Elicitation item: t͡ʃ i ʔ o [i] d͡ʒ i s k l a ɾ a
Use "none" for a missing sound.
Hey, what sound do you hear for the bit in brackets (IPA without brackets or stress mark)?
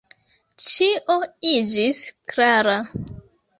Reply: i